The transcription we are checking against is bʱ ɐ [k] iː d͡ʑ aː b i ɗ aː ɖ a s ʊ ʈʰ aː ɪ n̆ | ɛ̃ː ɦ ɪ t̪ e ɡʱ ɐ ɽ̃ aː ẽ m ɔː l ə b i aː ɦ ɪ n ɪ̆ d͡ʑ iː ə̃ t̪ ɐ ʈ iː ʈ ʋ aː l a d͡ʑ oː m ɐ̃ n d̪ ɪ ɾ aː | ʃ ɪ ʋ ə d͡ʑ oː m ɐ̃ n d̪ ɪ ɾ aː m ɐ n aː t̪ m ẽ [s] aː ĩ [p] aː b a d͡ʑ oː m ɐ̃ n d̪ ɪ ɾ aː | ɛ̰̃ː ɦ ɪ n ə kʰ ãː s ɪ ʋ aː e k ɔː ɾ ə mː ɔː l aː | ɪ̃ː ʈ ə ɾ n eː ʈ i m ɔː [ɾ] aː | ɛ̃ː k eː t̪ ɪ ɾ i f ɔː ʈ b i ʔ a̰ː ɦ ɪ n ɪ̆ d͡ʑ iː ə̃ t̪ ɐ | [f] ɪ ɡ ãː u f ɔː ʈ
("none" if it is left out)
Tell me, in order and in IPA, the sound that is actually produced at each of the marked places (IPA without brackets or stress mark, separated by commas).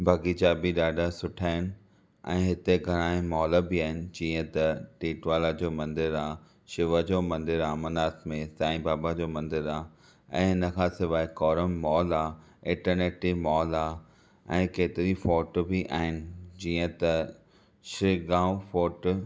ɡ, s, b, l, ʃ